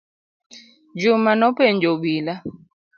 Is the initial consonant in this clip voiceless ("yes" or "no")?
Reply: no